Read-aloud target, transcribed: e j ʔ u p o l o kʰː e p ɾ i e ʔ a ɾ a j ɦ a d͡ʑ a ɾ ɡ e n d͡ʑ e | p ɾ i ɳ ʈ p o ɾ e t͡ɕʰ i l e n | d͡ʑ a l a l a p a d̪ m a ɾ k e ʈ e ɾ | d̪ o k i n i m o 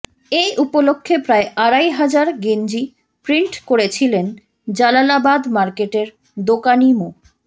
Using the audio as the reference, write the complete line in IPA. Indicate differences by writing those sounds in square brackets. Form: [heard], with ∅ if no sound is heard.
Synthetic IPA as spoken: e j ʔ u p o l o kʰː e p ɾ [a] e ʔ a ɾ a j ɦ a d͡ʑ a ɾ ɡ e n d͡ʑ [i] | p ɾ i ɳ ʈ [k] o ɾ e t͡ɕʰ i l e n | d͡ʑ a l a l a [b] a d̪ m a ɾ k e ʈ e ɾ | d̪ o k [a] n i m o